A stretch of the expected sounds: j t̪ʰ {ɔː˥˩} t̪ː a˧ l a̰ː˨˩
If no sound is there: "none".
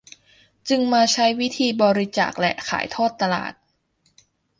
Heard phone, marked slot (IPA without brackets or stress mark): ɔː˥˩